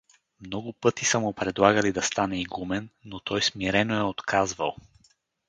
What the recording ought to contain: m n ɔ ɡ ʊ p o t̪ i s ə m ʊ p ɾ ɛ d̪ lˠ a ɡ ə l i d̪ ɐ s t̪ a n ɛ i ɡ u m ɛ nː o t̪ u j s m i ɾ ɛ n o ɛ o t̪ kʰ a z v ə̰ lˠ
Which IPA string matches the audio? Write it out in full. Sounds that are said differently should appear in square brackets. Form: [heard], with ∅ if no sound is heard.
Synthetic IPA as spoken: m n ɔ ɡ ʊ p [ɤ] t̪ i s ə m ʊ p ɾ ɛ d̪ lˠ a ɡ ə l i d̪ ɐ s t̪ a n ɛ i ɡ u m ɛ nː o t̪ [ɔ] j s m i ɾ ɛ n o ɛ o t̪ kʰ a z v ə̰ lˠ